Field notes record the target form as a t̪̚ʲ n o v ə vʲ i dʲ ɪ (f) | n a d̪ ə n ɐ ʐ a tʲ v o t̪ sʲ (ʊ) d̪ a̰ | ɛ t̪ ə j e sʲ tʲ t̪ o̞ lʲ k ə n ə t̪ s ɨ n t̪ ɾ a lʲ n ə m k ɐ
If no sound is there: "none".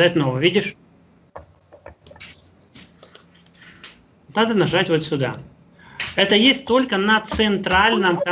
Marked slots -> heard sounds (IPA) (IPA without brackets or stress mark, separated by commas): ʂ, ʊ